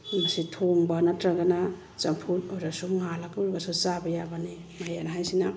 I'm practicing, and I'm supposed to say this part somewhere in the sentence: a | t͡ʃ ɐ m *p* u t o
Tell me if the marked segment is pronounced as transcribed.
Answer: no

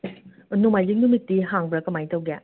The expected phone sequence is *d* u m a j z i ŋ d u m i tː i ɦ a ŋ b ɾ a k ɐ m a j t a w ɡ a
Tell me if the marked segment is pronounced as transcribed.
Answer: no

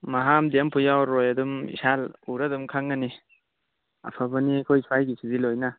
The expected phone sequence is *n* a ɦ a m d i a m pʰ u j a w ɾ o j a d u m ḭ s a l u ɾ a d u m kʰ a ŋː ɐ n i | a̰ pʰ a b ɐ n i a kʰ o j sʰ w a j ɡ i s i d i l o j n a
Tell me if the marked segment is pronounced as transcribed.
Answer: no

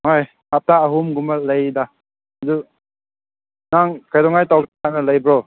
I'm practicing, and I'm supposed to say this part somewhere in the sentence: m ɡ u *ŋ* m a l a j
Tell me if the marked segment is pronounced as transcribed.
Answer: no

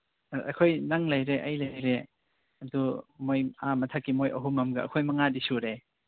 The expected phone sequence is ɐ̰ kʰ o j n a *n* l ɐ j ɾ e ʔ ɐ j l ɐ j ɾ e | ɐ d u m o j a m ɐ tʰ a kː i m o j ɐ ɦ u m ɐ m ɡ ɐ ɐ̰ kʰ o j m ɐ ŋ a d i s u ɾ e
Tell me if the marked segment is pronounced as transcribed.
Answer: no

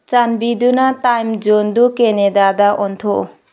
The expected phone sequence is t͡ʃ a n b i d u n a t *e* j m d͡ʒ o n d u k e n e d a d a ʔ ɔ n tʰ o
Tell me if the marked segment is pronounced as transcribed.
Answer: no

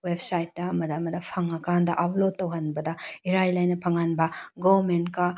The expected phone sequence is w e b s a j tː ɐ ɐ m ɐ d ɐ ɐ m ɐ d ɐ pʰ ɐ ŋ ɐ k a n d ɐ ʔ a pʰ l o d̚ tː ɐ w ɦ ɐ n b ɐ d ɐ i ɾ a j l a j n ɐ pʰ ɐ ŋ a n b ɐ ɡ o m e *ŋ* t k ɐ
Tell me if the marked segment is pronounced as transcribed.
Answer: no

